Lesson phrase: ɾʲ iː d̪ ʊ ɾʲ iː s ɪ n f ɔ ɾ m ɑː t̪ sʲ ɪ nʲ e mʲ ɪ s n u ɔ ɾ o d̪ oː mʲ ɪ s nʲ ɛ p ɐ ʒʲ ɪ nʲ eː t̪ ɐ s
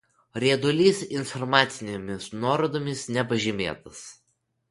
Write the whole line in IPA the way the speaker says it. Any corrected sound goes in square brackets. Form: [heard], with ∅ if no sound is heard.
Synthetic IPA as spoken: ɾʲ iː d̪ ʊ [lʲ] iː s ɪ n f ɔ ɾ m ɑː t̪ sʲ ɪ nʲ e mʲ ɪ s n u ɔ ɾ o d̪ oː mʲ ɪ s nʲ ɛ p ɐ ʒʲ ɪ [mʲ] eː t̪ ɐ s